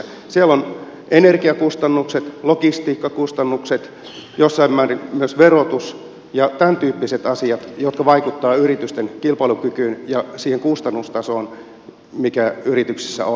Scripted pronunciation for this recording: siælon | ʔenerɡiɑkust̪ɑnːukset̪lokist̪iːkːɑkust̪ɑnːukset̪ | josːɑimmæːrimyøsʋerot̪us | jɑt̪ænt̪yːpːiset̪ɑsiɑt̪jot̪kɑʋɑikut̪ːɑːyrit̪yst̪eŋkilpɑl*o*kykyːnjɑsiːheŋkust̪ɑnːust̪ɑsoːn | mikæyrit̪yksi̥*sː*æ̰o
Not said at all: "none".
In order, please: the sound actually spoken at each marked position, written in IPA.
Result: u, sː

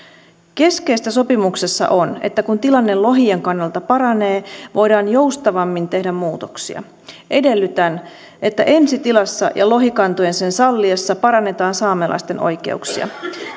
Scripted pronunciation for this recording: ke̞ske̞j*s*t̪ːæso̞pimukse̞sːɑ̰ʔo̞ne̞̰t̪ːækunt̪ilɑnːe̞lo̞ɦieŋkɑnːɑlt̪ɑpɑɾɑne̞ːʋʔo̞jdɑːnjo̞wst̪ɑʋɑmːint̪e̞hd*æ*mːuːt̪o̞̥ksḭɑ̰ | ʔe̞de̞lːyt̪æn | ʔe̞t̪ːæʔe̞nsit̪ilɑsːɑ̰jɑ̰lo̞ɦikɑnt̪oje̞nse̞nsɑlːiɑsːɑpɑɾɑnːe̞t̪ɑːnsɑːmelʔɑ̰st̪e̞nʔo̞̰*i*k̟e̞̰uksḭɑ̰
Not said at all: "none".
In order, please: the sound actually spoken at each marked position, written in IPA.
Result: s, æ, j

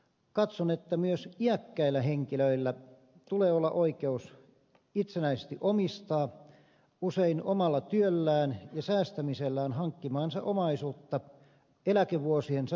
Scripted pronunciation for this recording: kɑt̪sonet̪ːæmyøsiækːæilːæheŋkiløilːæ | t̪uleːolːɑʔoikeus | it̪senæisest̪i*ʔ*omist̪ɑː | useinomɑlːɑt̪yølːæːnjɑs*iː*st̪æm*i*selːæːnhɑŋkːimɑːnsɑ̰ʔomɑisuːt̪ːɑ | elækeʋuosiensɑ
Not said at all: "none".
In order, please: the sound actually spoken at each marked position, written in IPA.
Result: ʔ, æː, i

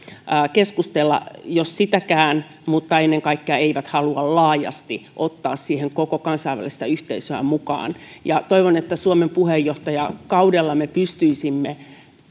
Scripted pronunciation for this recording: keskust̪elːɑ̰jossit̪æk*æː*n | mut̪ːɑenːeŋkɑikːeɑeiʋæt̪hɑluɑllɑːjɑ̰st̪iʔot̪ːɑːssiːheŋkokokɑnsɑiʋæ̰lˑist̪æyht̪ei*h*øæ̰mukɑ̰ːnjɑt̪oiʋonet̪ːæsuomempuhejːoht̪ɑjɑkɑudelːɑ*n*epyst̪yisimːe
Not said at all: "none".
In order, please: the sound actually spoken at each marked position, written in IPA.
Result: æː, s, m

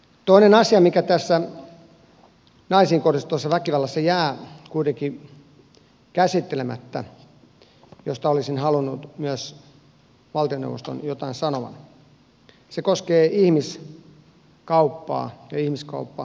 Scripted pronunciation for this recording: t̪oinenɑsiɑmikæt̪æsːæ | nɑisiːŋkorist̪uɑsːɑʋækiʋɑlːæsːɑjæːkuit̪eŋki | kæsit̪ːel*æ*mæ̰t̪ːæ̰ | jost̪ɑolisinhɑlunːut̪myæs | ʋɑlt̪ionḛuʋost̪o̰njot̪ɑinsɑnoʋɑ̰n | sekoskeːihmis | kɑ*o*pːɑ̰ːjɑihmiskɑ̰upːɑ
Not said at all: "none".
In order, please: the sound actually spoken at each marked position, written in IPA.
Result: e, u

